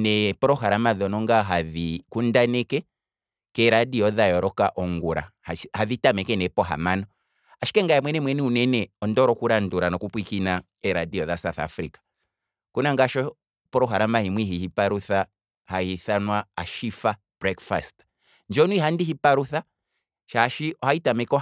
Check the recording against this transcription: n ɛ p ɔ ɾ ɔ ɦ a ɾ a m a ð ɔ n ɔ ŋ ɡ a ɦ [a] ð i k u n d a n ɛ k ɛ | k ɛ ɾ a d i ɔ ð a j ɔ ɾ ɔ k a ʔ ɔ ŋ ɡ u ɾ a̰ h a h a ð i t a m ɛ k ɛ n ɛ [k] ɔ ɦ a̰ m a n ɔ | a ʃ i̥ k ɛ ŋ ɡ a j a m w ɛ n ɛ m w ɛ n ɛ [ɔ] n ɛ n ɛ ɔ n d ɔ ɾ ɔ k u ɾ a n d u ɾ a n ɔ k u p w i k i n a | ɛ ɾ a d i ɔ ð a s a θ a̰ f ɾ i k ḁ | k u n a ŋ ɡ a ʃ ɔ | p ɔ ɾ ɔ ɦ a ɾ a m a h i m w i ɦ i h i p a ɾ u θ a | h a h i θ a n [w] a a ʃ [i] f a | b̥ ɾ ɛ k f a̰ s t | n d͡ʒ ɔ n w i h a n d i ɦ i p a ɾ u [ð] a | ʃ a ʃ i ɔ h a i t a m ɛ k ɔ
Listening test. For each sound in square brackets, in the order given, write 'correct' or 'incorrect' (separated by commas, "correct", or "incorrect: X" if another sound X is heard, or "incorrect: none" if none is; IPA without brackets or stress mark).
correct, incorrect: p, incorrect: u, correct, correct, incorrect: θ